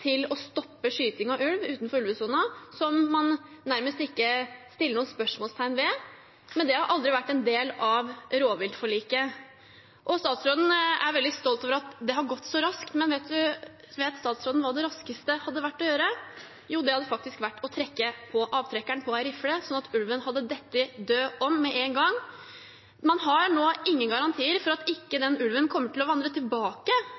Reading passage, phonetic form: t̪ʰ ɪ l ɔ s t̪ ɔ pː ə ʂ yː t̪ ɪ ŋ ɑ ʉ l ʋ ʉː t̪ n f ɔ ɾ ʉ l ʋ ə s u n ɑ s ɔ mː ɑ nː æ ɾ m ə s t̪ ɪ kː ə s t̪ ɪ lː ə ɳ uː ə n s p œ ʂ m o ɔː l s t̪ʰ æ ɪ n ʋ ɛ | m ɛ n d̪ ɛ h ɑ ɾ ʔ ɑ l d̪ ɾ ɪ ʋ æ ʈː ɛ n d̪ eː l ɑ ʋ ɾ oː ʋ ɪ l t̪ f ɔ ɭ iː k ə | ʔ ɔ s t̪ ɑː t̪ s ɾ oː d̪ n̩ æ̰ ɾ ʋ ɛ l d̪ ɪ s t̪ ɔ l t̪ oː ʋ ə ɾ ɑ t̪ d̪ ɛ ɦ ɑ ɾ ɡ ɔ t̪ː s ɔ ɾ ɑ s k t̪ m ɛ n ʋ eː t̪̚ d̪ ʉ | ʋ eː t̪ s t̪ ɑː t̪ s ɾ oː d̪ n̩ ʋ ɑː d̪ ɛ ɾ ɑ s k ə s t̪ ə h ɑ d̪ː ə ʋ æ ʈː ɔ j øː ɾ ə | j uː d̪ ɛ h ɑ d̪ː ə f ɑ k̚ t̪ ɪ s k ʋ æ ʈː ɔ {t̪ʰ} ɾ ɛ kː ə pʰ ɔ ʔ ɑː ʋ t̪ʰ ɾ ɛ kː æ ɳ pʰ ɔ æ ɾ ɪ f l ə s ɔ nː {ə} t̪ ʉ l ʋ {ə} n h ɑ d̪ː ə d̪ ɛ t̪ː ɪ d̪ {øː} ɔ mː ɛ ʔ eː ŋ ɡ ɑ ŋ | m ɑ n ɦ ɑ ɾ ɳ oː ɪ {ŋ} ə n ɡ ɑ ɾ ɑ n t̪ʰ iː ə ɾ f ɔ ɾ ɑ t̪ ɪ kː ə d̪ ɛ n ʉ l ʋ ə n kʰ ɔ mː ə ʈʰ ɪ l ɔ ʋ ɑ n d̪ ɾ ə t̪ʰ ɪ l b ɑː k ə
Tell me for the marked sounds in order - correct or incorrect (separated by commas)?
correct, incorrect, correct, correct, incorrect